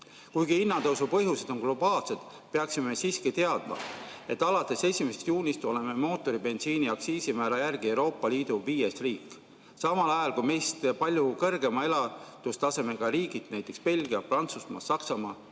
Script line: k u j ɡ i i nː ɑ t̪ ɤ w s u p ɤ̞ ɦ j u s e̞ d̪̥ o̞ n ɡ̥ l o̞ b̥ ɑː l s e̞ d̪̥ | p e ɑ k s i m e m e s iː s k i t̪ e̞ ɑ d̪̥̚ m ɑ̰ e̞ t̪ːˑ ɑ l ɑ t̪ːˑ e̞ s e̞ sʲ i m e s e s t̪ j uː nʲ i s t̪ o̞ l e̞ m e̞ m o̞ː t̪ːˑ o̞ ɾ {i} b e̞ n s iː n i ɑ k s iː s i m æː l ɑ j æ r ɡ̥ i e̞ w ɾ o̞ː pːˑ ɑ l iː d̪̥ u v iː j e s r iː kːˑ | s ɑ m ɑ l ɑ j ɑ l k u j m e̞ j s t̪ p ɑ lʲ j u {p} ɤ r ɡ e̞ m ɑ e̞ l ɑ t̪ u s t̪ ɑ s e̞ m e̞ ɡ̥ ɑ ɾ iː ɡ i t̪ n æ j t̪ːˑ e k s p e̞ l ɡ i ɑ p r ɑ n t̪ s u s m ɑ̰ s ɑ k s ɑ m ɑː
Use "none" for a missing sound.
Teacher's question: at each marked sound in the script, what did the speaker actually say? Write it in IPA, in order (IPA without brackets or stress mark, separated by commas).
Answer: i, k